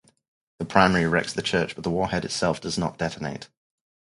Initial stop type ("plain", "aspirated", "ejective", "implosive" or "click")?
aspirated